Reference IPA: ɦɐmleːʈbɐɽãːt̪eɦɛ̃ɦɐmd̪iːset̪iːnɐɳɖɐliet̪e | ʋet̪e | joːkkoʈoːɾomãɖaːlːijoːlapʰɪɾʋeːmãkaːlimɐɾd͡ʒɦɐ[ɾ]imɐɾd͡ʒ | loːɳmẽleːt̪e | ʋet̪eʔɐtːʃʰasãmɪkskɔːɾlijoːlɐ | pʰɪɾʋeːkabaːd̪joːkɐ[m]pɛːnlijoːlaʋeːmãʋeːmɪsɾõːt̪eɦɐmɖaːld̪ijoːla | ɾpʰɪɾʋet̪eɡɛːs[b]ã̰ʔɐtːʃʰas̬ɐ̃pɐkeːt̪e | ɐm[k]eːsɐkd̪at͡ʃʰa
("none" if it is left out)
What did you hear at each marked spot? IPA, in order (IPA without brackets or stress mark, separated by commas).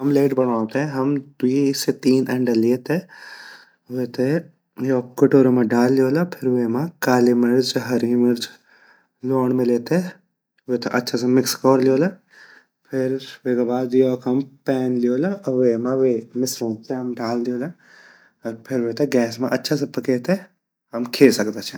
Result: ɾ, m, m, kʰ